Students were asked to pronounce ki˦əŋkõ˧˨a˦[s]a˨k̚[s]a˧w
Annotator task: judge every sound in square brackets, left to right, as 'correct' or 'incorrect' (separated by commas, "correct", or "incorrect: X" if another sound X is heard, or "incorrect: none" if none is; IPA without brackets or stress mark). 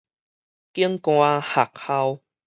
incorrect: h, incorrect: h